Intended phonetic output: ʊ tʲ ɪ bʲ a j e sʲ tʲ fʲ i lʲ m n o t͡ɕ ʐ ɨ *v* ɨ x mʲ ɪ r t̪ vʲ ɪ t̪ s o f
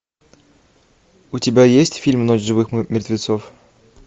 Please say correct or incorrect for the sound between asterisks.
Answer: correct